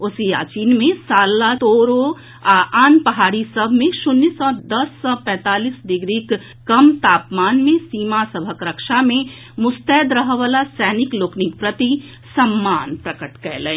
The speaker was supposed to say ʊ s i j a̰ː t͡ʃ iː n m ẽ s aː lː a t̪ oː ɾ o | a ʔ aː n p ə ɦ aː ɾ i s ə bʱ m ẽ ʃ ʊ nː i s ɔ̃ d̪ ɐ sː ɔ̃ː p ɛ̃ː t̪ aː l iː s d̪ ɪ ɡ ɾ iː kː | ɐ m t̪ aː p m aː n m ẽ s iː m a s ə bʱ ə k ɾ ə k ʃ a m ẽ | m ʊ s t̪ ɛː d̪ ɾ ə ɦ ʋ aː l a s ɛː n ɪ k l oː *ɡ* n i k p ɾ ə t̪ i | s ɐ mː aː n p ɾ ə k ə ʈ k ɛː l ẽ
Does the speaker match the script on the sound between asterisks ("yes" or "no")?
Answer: no